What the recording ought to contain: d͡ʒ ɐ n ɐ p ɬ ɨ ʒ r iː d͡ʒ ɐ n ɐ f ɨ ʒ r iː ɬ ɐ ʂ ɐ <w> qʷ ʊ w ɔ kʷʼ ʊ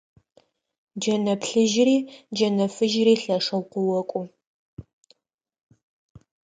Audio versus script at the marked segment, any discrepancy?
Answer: no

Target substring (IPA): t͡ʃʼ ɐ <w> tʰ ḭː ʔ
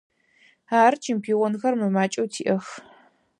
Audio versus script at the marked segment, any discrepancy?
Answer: no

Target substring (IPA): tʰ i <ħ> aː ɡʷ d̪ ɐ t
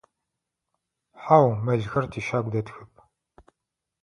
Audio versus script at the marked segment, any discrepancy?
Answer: yes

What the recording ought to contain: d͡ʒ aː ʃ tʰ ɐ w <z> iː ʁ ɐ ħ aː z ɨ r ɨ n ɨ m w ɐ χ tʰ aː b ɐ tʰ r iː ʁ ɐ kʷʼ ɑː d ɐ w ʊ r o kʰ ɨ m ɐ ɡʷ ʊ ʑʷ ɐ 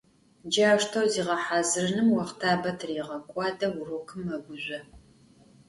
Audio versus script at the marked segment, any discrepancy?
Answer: no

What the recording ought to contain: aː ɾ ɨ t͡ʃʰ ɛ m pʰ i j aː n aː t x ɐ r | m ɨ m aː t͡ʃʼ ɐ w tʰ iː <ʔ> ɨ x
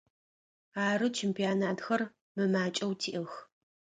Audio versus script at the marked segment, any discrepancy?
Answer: no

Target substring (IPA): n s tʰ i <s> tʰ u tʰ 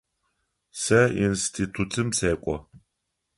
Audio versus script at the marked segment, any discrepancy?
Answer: yes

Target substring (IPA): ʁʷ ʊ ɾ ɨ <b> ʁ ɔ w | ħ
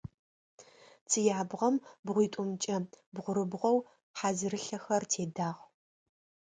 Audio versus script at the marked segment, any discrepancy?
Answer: no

